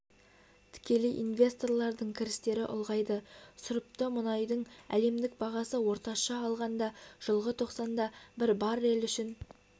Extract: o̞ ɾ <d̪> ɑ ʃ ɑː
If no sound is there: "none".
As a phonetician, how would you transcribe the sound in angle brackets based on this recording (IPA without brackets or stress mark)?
t̪